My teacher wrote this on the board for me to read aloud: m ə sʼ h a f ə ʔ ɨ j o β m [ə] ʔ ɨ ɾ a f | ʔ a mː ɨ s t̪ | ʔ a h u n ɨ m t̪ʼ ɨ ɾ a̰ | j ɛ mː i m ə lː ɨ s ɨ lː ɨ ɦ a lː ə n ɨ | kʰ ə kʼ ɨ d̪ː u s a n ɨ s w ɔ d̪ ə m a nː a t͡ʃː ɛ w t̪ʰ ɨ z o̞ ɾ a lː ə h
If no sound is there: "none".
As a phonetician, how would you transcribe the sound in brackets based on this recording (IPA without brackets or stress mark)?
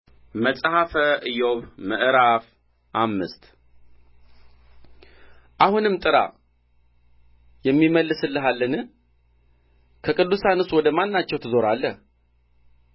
ə